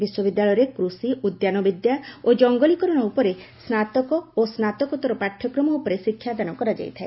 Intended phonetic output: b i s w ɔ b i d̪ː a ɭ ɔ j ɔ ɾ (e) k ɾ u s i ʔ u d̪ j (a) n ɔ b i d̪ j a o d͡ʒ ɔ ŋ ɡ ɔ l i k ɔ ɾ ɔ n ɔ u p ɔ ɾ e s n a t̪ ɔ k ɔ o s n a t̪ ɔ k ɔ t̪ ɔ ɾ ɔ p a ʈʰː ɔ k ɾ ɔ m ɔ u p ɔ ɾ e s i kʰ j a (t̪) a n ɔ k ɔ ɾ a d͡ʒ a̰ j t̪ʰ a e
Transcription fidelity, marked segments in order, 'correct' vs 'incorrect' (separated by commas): correct, correct, incorrect